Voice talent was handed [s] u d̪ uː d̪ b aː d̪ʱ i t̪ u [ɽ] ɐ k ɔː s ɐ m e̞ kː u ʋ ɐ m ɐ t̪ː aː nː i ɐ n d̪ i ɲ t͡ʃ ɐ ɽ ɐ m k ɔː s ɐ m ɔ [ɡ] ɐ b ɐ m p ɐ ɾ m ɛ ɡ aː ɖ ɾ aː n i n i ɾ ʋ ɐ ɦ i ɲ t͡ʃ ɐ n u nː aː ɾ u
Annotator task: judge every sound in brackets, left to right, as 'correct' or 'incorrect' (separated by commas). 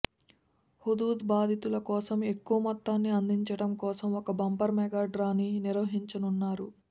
incorrect, incorrect, incorrect